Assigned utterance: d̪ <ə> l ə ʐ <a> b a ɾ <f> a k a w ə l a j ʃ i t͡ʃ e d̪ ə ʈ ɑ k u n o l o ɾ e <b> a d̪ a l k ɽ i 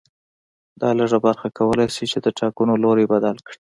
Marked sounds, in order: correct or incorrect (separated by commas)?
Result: incorrect, correct, incorrect, correct